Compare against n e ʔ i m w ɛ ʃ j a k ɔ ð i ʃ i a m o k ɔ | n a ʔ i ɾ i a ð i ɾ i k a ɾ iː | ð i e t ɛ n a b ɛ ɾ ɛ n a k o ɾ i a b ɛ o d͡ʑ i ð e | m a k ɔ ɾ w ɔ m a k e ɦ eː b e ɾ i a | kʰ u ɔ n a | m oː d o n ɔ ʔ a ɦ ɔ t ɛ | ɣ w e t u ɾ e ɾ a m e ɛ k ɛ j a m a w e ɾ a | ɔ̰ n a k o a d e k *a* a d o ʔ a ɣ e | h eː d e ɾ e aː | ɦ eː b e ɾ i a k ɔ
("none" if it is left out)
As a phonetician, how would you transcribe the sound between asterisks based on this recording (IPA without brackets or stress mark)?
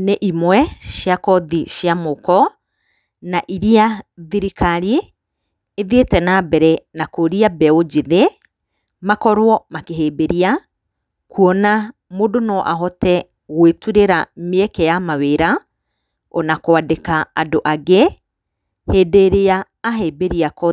a